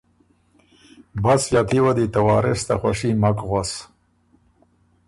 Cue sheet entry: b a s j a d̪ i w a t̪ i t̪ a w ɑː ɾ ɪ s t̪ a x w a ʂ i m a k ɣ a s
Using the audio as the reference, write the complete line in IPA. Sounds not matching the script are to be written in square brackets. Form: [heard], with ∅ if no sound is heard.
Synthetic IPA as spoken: b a s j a [t̪] i w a [d̪] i t̪ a w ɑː ɾ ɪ s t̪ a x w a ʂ i m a k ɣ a s

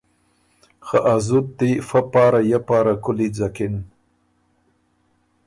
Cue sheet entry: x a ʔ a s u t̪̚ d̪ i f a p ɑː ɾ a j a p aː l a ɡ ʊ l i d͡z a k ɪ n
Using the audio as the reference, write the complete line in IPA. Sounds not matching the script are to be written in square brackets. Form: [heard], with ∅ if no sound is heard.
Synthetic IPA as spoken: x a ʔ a [z] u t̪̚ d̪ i f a p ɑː ɾ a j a p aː [ɾ] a [k] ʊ l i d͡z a k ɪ n

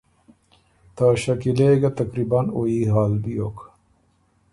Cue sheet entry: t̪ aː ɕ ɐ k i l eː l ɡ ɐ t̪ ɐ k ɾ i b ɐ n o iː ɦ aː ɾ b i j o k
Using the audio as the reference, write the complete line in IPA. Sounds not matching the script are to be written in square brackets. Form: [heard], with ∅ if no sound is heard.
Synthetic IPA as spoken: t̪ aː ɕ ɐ k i l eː [∅] ɡ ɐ t̪ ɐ k ɾ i b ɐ n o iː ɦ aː [l] b i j o k

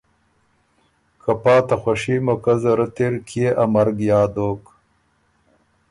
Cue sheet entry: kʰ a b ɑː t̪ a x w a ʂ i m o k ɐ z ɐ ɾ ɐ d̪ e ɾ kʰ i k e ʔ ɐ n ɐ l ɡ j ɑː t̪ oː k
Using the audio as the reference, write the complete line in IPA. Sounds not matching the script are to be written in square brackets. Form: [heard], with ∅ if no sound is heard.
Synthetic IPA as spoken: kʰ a [p] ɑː t̪ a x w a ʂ i m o k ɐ z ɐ ɾ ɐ [t̪] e ɾ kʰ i [∅] e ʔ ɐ [m] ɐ [ɾ] ɡ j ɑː [d̪] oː k

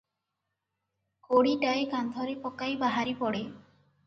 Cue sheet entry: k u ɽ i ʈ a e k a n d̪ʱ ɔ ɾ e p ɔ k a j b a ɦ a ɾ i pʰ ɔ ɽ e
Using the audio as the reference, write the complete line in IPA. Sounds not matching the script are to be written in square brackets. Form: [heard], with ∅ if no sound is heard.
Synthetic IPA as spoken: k [o] ɽ i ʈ a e k a n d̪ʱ ɔ ɾ e p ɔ k a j b a ɦ a ɾ i [p] ɔ ɽ e

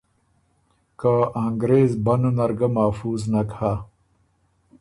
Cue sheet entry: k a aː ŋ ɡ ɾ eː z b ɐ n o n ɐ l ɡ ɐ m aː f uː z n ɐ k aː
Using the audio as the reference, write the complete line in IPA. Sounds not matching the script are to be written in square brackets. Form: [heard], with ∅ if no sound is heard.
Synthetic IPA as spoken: k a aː ŋ ɡ ɾ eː z b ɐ n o n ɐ [ɾ] ɡ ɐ m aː f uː z n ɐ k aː

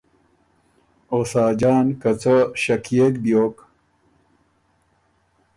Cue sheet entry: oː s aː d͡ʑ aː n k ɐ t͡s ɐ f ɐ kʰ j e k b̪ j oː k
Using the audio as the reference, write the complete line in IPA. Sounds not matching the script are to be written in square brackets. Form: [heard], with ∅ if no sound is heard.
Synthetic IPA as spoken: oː s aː d͡ʑ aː n k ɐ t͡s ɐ [ɕ] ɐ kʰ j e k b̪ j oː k

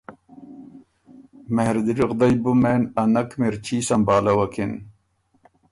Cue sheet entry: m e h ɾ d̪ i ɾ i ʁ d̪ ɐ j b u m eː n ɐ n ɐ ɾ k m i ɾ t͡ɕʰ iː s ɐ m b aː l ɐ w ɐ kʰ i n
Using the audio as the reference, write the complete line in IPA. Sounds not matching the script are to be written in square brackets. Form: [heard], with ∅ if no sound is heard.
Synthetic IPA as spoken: m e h ɾ d̪ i ɾ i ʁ d̪ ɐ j b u m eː n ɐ n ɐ [∅] k m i ɾ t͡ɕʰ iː s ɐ m b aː l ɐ w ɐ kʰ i n

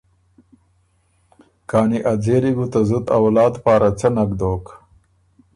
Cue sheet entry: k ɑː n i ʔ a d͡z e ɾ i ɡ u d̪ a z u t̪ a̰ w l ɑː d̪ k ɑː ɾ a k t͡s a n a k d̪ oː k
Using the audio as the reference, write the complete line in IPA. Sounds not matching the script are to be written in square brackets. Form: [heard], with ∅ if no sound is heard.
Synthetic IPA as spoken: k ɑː n i ʔ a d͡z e ɾ i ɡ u [t̪] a z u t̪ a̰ w l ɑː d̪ [p] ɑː ɾ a [∅] t͡s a n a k d̪ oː k

